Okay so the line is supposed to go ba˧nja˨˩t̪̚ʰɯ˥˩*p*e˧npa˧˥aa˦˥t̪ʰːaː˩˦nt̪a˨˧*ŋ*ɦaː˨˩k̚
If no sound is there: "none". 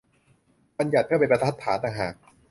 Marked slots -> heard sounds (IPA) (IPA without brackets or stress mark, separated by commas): p, ŋ